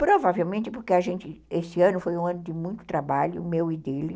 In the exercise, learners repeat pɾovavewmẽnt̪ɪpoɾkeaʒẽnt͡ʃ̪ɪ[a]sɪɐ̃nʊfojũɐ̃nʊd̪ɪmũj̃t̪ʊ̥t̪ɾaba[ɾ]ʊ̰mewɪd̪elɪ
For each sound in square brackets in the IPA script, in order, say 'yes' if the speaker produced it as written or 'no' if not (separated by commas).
no, no